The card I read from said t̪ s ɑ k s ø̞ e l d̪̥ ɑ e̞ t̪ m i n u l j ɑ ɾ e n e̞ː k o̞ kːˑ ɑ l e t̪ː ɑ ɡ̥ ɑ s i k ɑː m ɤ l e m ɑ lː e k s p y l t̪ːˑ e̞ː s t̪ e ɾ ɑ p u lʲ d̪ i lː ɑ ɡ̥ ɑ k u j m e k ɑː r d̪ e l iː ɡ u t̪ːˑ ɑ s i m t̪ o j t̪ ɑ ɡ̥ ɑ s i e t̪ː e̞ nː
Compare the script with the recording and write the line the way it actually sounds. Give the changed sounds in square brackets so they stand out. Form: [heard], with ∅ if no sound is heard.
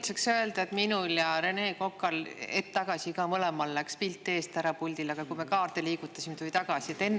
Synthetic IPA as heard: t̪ s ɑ k s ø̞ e l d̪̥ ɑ e̞ t̪ m i n u l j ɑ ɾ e n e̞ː k o̞ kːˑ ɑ l e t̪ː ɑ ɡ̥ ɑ s i k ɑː m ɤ l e m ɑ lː [æ] k s p [i] l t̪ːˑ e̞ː s t̪ [æ] ɾ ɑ p u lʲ d̪ i [l] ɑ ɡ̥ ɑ k u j m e k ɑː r [t̪] e l iː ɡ u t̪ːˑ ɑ s i m t̪ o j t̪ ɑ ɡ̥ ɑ s i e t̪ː e̞ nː